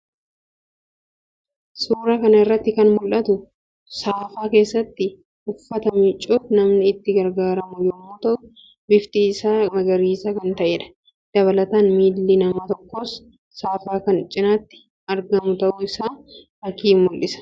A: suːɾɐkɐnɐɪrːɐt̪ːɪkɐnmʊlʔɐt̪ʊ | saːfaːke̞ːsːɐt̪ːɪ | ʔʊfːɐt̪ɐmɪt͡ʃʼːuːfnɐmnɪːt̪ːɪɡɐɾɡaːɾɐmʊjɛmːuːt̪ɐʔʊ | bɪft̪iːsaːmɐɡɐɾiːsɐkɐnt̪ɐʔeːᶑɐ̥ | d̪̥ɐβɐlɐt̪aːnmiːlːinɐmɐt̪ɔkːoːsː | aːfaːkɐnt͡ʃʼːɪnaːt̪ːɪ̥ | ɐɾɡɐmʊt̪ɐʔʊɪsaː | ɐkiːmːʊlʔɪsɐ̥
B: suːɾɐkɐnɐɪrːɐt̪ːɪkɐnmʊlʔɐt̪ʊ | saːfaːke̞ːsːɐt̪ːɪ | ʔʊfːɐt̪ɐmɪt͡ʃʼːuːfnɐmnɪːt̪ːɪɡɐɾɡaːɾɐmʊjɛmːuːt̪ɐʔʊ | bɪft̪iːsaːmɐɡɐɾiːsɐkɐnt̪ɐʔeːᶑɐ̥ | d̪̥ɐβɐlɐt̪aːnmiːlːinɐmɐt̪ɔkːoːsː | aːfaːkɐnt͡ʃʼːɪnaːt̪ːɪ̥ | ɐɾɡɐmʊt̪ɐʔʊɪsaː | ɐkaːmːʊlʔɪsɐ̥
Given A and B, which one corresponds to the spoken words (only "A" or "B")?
A